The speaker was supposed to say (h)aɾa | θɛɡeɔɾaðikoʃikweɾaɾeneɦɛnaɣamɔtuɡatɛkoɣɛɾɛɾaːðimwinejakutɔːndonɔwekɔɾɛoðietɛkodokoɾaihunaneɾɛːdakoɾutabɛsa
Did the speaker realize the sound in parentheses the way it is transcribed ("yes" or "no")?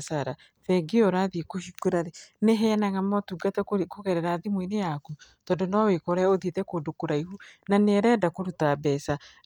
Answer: no